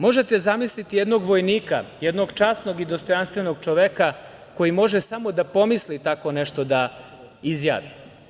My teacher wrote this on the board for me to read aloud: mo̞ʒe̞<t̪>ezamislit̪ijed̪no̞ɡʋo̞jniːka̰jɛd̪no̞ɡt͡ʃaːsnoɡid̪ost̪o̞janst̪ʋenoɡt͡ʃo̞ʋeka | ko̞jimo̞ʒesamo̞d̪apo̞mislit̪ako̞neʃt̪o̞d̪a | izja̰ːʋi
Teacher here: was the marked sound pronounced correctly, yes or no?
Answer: yes